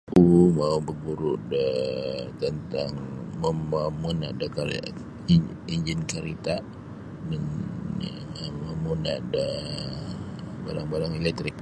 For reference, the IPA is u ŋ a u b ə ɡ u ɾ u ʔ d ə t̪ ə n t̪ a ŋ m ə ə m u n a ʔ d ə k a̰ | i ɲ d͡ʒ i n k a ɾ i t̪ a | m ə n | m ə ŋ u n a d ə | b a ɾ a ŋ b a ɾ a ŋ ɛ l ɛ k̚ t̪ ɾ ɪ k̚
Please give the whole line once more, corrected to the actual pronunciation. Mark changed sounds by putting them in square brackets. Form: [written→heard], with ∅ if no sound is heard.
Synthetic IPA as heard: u [ŋ→m] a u b ə ɡ u ɾ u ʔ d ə t̪ ə n t̪ a ŋ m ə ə m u n a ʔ d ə k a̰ | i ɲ d͡ʒ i n k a ɾ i t̪ a | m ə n | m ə [ŋ→m] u n a d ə | b a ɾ a ŋ b a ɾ a ŋ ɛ l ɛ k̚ t̪ ɾ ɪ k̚